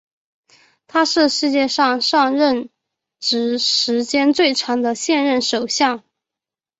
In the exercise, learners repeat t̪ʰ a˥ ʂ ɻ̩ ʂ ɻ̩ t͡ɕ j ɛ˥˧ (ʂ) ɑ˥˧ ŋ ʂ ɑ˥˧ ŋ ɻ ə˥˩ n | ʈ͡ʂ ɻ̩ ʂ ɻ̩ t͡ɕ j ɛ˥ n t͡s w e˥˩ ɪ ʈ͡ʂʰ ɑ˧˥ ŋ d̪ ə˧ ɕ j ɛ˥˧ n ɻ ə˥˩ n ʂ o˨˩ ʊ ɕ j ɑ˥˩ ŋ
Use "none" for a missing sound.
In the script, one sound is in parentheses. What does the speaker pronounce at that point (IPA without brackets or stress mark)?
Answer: ʂ